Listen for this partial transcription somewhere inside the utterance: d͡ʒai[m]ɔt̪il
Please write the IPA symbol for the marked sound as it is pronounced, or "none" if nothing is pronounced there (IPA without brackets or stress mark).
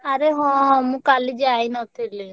n